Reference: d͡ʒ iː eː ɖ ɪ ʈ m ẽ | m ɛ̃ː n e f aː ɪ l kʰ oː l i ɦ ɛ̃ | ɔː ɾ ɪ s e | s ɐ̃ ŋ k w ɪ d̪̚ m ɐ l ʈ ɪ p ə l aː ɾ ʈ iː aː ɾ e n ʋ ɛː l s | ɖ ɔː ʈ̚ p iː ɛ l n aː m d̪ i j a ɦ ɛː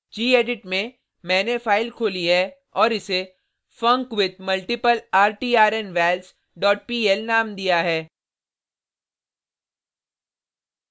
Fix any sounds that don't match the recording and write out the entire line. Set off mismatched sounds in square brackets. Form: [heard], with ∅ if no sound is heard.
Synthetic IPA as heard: d͡ʒ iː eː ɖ ɪ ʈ m ẽ | m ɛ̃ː n e f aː ɪ l kʰ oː l i ɦ [ɛ] | ɔː ɾ ɪ s e | [f] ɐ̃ ŋ k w ɪ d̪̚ m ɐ l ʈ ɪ p ə l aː ɾ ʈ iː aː ɾ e n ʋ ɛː l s | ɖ ɔː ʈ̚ p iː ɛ l n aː m d̪ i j a ɦ ɛː